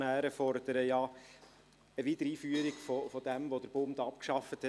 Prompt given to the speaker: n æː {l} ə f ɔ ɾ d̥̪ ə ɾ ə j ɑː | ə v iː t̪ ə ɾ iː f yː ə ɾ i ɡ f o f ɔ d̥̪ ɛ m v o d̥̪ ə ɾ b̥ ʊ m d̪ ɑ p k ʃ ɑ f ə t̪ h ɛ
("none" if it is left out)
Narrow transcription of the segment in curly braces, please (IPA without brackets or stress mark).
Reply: ɾ